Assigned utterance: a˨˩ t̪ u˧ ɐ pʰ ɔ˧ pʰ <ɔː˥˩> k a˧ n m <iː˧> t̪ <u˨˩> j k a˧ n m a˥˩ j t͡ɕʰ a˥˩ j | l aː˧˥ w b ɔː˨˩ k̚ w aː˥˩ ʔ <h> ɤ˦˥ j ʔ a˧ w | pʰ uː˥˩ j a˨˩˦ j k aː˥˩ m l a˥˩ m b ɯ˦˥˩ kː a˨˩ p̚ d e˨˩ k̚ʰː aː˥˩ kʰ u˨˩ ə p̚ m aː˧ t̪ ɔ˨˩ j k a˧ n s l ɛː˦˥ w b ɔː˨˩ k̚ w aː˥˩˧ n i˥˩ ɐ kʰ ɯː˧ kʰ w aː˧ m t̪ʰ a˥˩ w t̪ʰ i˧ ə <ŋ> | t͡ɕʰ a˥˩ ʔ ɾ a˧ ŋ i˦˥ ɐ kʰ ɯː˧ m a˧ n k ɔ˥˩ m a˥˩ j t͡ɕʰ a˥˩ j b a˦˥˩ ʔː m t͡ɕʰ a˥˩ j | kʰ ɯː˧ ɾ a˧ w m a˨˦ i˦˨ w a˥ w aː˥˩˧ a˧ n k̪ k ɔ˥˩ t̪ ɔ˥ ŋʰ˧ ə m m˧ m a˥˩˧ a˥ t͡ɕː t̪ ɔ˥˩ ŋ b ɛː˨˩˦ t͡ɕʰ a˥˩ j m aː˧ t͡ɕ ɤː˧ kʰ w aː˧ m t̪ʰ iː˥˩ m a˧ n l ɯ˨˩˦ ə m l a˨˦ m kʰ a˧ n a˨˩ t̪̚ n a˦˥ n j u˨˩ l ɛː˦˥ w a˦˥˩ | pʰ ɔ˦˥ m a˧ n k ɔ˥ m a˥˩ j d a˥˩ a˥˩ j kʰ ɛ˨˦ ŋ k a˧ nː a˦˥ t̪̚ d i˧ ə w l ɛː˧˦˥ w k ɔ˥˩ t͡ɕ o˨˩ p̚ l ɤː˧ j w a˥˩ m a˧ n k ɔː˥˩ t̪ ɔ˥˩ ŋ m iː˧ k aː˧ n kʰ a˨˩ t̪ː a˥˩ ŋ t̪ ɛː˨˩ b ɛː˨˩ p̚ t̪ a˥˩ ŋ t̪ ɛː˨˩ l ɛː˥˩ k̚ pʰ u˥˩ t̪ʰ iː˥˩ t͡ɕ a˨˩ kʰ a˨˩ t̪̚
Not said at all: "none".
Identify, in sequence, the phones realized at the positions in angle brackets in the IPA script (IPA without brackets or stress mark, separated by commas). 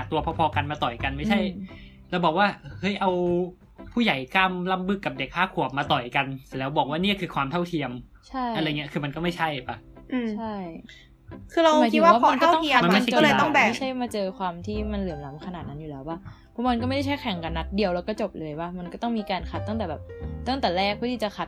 ɔː˧, aː˧, ɔ˨˩, h, m